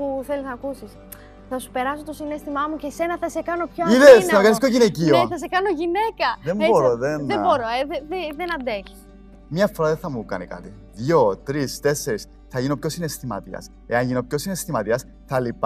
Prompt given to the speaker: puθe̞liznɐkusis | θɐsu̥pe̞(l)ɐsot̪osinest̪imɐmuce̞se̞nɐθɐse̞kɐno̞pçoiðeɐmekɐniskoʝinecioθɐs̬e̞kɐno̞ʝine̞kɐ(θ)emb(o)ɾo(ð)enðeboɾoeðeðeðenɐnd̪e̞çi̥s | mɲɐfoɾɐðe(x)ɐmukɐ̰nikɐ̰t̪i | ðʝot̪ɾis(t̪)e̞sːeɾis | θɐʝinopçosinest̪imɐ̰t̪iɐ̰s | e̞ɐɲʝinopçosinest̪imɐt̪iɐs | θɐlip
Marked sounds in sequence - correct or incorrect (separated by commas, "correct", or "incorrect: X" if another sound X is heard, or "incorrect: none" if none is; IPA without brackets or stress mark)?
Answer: incorrect: ɾ, incorrect: ð, correct, correct, incorrect: θ, correct